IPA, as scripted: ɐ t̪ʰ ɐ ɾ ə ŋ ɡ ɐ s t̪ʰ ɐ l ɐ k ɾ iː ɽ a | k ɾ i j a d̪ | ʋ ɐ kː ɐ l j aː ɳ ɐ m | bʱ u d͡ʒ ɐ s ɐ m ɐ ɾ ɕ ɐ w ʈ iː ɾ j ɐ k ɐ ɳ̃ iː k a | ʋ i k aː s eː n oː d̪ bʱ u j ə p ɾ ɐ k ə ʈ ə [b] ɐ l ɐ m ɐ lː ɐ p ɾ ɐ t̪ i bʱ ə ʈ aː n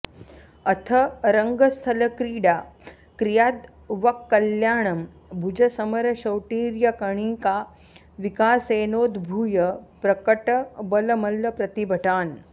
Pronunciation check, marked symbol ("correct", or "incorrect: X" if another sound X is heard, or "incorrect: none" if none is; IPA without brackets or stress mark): correct